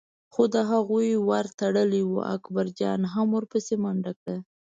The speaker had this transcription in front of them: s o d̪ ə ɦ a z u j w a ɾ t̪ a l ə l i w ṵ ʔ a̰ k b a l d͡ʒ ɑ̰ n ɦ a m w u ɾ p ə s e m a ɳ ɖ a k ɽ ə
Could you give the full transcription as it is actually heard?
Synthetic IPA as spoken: x o d̪ ə ɦ a ɣ u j w a ɾ t̪ a ɽ ə l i w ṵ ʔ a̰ k b a ɾ d͡ʒ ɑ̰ n ɦ a m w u ɾ p ə s e m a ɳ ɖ a k ɽ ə

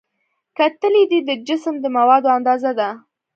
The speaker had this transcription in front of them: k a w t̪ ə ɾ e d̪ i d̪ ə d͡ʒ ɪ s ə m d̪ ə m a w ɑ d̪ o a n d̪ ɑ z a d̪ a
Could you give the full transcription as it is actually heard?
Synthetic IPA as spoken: k a t̪ ə l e d̪ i d̪ ə d͡ʒ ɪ s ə m d̪ ə m a w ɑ d̪ o a n d̪ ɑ z a d̪ a

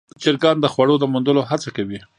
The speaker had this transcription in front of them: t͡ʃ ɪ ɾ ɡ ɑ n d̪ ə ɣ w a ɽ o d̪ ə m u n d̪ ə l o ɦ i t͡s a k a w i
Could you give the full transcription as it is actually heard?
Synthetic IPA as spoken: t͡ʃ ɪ ɾ ɡ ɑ n d̪ ə x w a ɽ o d̪ ə m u n d̪ ə l o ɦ a t͡s a k a w i

